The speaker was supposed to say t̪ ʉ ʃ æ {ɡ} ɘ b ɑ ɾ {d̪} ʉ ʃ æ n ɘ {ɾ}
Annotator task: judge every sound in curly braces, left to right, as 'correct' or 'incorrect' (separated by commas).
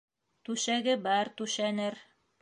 correct, incorrect, correct